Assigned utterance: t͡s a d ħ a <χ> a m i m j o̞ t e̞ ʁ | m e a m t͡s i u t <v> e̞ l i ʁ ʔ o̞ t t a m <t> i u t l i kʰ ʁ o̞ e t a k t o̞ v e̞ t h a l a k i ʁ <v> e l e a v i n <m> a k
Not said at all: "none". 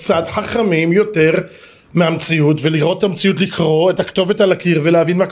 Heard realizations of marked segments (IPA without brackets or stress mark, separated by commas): χ, v, t͡s, v, m